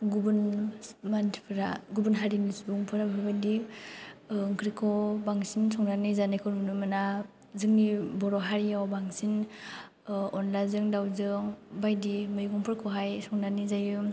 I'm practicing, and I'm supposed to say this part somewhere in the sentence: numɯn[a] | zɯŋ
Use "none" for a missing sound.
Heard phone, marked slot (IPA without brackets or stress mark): a